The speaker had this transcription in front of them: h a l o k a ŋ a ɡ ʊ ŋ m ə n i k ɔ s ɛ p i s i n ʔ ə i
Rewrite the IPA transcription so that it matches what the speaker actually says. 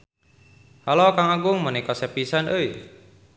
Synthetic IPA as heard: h a l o k a ŋ a ɡ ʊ ŋ m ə n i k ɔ s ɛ p i s a n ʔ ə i